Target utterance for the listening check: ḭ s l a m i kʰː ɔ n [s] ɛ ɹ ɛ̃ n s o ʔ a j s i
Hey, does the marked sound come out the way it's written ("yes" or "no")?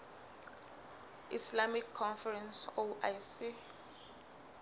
no